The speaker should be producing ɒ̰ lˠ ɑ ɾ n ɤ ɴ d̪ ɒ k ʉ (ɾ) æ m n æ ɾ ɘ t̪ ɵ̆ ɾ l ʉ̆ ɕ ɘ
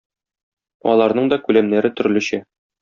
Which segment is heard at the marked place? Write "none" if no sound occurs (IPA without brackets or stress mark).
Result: l